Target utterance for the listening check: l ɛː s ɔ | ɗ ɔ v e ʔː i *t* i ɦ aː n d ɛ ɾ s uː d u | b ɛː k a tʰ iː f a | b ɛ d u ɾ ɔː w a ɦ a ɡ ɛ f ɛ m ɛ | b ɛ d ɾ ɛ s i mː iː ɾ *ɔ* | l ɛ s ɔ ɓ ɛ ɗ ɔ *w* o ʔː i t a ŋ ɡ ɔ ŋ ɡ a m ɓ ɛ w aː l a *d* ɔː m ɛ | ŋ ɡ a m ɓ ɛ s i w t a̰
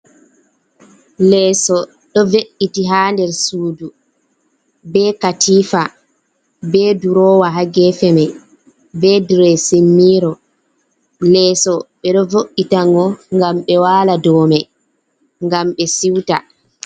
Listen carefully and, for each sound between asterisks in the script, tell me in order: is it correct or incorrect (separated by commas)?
correct, correct, incorrect, correct